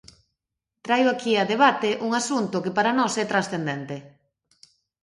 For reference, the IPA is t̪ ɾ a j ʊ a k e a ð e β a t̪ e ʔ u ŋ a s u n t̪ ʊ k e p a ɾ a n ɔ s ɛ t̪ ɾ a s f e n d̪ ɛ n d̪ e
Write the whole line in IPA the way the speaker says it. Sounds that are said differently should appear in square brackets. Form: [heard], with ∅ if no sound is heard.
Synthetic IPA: t̪ ɾ a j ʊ a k [i] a ð e β a t̪ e ʔ u ŋ a s u n t̪ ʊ k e p a ɾ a n ɔ s ɛ t̪ ɾ a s [θ] e n d̪ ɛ n [t̪] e